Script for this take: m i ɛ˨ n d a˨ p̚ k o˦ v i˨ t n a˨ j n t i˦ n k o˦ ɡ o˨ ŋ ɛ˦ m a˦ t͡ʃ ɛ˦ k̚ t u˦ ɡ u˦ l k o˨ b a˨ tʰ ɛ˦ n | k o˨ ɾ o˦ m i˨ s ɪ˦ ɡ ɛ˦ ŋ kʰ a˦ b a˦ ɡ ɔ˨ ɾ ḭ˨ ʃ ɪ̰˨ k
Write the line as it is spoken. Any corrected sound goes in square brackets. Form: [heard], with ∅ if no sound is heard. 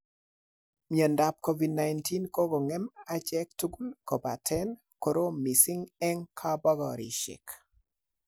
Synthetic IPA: m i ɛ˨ n d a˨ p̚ k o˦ v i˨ [d] n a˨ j n t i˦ n k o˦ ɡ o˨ ŋ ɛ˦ m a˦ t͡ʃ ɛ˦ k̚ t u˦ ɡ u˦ l k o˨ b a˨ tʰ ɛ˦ n | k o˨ ɾ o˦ m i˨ s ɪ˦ [ŋ] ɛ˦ ŋ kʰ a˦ b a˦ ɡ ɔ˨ ɾ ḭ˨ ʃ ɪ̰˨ k

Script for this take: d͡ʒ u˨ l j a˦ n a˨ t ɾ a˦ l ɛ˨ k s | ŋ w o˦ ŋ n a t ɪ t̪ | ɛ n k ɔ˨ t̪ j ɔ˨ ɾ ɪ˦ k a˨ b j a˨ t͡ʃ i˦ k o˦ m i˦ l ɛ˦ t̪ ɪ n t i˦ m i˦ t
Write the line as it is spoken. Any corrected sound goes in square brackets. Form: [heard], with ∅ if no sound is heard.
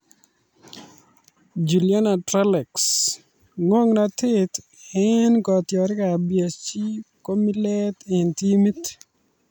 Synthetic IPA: d͡ʒ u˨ l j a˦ n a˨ t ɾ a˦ l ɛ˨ k s | ŋ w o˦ ŋ n a t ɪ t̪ | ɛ n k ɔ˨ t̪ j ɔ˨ ɾ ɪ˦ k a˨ b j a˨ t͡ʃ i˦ k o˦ m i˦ l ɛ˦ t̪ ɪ n t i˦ m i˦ t

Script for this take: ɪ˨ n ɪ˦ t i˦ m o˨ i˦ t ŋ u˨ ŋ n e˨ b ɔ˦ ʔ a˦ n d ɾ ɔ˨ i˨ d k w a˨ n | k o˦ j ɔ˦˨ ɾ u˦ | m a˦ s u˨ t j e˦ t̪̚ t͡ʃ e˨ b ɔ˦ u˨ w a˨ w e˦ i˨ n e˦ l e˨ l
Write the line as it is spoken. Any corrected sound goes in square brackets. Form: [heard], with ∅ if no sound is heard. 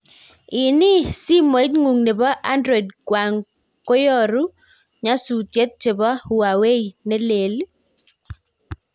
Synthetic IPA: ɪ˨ n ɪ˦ [s] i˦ m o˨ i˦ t ŋ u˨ ŋ n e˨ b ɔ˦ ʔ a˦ n d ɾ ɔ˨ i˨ d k w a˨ [ŋ] | k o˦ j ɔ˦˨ ɾ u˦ | [ɲ] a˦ s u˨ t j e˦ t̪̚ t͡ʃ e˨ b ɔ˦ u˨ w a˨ w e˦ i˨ n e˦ l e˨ l

